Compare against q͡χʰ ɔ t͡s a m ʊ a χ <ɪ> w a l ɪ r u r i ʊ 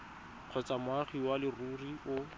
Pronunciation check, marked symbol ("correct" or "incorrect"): incorrect